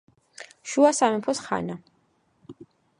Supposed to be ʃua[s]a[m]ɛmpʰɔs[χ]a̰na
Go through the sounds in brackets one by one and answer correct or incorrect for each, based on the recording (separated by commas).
correct, correct, correct